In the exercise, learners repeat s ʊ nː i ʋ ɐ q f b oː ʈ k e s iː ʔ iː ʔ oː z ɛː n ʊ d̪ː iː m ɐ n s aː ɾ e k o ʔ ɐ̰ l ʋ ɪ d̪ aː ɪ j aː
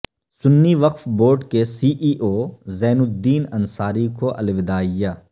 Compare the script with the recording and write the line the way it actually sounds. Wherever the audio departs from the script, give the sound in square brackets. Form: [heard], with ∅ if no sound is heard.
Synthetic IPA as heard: s ʊ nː i ʋ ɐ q f b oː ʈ k e s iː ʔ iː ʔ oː z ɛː n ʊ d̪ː iː [n] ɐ n s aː ɾ [i] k o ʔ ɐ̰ l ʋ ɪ d̪ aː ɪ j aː